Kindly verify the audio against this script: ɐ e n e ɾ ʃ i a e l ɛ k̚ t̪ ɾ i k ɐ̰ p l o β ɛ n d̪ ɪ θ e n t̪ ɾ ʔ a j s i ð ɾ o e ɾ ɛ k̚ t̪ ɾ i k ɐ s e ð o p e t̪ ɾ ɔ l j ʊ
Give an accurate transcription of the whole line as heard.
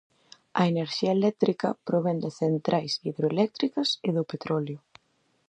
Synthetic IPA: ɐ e n e ɾ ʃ i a e l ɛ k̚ t̪ ɾ i k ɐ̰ p ɾ o β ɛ n d̪ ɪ θ e n t̪ ɾ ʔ a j s i ð ɾ o e l ɛ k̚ t̪ ɾ i k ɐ s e ð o p e t̪ ɾ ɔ l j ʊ